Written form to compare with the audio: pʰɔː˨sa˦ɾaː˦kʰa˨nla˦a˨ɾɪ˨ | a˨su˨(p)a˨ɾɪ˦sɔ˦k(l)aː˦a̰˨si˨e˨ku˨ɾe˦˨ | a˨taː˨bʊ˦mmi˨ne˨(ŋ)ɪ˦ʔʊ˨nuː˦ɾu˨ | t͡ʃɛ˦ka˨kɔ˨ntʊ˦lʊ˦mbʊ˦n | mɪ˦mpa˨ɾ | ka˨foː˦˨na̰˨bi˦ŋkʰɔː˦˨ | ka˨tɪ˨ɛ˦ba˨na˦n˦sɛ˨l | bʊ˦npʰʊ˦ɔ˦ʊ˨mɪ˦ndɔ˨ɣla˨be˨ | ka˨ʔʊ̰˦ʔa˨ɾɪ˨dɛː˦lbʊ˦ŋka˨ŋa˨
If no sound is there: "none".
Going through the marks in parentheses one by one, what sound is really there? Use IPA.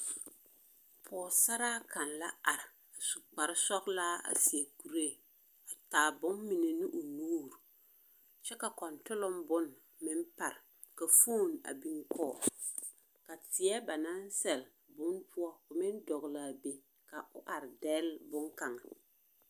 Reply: k͡p, l, n

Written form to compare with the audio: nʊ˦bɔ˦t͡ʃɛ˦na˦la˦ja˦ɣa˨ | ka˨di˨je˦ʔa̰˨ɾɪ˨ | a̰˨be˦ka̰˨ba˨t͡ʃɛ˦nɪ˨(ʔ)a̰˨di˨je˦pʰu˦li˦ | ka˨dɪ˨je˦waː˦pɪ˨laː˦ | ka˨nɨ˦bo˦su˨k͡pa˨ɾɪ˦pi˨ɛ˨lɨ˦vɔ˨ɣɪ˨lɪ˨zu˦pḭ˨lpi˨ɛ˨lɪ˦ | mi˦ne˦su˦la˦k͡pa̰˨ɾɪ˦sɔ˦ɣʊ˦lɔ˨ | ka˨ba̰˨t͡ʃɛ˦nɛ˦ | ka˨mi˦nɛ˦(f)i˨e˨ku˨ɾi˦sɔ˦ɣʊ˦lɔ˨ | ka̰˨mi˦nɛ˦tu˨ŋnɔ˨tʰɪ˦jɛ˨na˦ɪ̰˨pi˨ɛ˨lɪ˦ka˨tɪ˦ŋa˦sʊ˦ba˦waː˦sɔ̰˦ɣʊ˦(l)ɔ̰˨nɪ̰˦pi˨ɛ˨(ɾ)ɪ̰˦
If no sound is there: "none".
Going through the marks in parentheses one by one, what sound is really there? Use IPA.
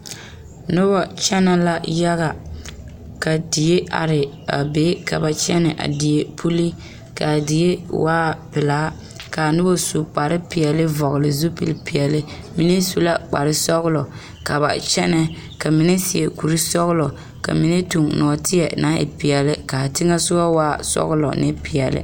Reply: ʔ, s, l, l

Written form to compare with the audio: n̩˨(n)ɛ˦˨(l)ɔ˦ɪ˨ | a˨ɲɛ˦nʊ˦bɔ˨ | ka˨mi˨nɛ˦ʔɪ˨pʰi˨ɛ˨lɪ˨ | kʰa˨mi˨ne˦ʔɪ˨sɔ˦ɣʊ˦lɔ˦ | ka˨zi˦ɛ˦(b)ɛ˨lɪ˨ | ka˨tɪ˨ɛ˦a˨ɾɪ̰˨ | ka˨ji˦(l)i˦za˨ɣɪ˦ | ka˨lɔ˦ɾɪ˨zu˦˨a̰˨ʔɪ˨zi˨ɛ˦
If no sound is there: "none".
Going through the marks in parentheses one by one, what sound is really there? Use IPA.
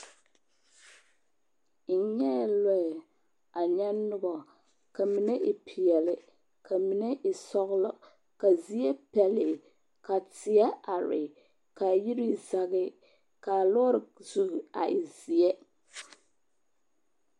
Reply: ɲ, l, p, ɾ

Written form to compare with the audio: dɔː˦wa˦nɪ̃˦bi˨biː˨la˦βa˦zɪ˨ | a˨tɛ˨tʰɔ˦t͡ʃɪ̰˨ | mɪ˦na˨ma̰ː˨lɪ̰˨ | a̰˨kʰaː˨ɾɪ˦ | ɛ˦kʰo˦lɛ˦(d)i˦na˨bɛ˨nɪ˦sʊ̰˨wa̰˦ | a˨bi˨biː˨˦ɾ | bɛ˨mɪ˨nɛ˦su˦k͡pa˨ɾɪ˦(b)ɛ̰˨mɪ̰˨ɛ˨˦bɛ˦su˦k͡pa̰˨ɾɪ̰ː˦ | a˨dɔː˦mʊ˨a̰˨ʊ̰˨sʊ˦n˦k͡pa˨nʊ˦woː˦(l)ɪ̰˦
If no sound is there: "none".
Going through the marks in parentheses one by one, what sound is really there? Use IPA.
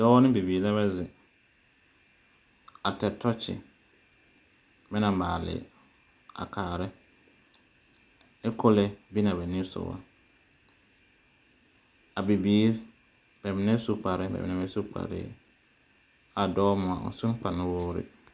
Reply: b, b, ɾ

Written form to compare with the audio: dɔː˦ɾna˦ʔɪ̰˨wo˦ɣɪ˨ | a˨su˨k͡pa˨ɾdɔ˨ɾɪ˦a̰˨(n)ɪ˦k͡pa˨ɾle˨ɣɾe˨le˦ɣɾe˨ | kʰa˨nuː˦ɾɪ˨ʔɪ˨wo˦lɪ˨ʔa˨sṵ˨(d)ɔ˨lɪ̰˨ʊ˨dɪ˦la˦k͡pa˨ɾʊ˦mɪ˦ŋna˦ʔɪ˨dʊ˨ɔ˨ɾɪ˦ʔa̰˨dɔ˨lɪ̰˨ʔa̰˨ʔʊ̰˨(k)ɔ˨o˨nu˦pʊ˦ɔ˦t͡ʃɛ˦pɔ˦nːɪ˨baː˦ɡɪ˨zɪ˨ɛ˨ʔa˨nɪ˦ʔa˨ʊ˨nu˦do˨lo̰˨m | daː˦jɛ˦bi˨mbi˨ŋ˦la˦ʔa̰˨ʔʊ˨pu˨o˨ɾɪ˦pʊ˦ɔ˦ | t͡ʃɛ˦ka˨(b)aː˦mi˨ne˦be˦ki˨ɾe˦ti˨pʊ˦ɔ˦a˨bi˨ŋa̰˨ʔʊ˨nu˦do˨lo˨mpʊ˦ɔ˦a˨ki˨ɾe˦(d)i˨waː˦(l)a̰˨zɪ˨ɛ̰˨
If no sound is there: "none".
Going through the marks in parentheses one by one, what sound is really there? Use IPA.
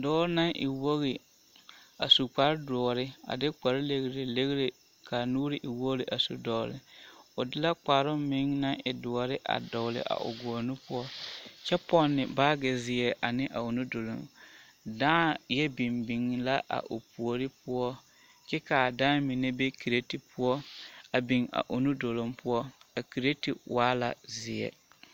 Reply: d, d, ɡ, d, t, l

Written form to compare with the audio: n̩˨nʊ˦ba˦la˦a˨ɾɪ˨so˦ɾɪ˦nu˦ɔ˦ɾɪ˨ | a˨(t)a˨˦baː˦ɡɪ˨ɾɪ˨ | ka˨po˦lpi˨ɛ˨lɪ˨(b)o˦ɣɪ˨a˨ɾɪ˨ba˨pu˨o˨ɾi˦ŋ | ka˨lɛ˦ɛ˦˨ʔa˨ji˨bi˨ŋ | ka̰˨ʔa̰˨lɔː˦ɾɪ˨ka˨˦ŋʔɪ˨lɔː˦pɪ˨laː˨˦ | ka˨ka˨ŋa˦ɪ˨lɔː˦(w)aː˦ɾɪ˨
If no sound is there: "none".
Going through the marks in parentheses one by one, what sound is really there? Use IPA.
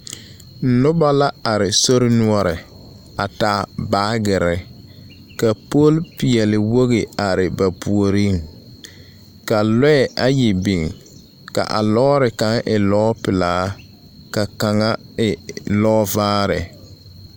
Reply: t, w, v

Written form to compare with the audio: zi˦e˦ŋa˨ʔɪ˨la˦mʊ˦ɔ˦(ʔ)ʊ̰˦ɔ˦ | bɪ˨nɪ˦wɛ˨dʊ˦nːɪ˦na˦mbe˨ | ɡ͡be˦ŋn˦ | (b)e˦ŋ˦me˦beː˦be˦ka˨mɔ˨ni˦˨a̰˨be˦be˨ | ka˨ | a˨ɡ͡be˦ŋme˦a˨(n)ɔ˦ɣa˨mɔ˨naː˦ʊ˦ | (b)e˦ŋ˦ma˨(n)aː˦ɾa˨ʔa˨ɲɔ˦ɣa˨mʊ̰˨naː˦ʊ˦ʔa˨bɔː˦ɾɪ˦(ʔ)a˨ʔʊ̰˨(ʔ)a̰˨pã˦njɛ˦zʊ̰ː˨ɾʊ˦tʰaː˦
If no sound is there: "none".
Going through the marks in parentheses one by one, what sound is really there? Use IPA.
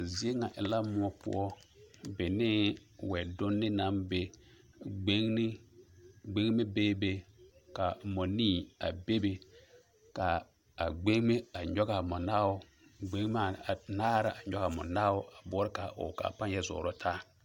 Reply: p, ɡ͡b, ɲ, ɡ͡b, n, k, k

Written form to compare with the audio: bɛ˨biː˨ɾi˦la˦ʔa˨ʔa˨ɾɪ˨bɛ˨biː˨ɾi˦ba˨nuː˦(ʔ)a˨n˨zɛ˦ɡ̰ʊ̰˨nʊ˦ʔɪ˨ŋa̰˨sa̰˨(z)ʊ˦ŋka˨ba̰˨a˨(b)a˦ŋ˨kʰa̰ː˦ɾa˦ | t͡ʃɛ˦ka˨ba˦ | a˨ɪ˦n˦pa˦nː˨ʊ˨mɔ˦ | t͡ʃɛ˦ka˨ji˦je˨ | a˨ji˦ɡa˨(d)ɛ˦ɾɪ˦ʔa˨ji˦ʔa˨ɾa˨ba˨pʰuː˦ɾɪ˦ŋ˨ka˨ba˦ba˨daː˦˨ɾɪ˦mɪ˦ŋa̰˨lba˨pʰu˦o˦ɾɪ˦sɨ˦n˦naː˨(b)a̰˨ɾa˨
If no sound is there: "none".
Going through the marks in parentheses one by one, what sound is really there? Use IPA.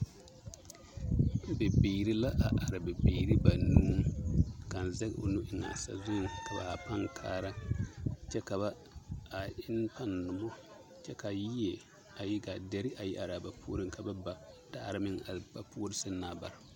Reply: k, z, p, d, b

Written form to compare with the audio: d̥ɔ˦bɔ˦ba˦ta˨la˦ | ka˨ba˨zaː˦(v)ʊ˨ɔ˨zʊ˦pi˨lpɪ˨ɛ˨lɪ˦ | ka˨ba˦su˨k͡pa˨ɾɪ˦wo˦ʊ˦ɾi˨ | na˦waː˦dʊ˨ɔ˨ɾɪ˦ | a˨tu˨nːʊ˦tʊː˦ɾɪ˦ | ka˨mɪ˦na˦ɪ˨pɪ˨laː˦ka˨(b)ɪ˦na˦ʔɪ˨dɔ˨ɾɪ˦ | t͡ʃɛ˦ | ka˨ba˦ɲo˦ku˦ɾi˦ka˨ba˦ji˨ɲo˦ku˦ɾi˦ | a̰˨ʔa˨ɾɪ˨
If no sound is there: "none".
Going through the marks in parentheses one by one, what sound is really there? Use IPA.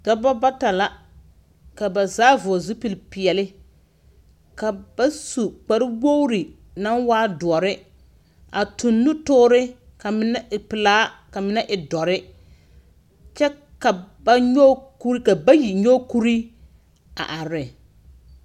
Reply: v, m

